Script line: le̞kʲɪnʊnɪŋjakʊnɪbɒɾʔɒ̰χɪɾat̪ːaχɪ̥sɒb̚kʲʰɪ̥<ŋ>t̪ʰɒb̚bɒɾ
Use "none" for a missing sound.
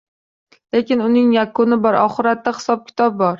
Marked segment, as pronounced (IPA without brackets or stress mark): none